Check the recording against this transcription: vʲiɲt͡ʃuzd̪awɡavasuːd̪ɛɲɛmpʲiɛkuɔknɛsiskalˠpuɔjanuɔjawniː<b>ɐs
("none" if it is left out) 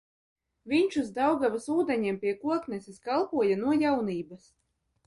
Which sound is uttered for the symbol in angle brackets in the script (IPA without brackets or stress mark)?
b